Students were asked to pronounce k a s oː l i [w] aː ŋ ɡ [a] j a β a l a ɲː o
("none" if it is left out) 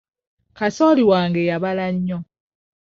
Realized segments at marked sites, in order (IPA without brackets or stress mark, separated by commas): w, e